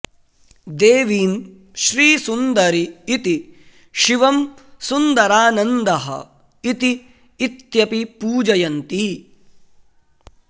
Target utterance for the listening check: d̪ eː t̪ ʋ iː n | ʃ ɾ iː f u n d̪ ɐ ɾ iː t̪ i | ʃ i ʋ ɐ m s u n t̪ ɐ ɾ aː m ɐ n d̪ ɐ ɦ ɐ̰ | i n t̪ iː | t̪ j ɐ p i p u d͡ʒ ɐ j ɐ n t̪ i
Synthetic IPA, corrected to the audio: d̪ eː ʋ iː n | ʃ ɾ iː s u n d̪ ɐ ɾ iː t̪ i | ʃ i ʋ ɐ m s u n d̪ ɐ ɾ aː n ɐ n d̪ ɐ ɦ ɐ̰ | i t̪ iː | t̪ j ɐ p i p uː d͡ʒ ɐ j ɐ n t̪ i